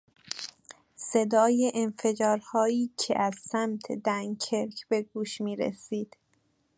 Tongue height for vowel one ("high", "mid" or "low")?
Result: mid